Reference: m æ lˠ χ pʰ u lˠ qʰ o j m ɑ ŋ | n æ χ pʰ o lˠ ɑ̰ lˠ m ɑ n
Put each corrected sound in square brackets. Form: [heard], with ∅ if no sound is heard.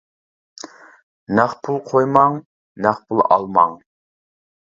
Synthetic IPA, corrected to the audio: [n] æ [∅] χ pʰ u lˠ qʰ o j m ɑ ŋ | n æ χ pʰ [u] lˠ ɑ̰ lˠ m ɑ [ŋ]